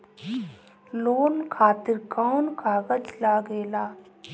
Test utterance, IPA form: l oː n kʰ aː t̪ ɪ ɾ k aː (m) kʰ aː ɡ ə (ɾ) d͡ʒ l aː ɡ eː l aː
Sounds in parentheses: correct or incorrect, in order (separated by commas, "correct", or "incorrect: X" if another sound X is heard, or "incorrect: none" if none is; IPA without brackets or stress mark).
incorrect: n, incorrect: none